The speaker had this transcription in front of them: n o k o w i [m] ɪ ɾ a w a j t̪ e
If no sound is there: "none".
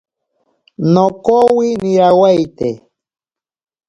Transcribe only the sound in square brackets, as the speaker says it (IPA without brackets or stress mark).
n